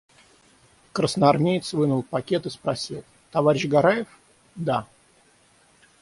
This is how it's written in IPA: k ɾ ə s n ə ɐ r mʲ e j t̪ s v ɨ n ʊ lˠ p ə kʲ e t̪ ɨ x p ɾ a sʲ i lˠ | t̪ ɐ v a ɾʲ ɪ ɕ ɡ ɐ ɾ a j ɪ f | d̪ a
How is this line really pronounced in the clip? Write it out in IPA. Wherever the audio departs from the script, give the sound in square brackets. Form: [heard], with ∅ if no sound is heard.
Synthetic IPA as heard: k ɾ ə s n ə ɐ r mʲ e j t̪ s v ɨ n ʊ lˠ p [ɐ] kʲ e t̪ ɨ [s] p ɾ [ɐ] sʲ i lˠ | t̪ ɐ v a ɾʲ ɪ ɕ ɡ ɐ ɾ a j ɪ f | d̪ a